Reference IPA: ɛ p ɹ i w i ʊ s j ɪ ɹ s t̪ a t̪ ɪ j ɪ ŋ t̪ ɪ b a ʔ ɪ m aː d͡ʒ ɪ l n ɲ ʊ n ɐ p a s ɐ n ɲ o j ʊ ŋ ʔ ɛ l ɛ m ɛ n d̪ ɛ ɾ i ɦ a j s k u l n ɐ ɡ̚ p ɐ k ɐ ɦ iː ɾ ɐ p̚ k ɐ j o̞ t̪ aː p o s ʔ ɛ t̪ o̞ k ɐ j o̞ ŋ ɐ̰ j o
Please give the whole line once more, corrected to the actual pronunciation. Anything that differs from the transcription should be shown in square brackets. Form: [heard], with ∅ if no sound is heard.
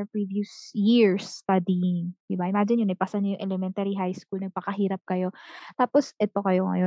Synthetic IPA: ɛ p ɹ i [v] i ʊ s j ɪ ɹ s t̪ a [d̪] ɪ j ɪ ŋ [d̪] ɪ b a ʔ ɪ m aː d͡ʒ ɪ [∅] n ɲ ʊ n ɐ p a s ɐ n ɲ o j ʊ ŋ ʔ ɛ l ɛ m ɛ n [t̪] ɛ ɾ i ɦ a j s k u l n ɐ ɡ̚ p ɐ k ɐ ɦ iː ɾ ɐ p̚ k ɐ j o̞ t̪ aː p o s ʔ ɛ t̪ o̞ k ɐ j o̞ ŋ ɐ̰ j o